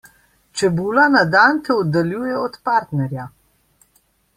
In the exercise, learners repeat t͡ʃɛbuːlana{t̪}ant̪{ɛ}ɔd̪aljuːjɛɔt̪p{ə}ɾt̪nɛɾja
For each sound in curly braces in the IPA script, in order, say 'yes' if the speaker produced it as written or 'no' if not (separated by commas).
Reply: no, yes, no